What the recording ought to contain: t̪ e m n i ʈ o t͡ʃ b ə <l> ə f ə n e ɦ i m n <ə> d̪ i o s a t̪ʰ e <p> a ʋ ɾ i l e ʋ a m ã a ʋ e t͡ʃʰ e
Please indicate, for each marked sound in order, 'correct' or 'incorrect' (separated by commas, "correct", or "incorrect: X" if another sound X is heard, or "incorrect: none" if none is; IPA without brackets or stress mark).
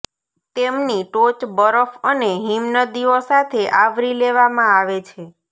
incorrect: ɾ, correct, incorrect: ʔ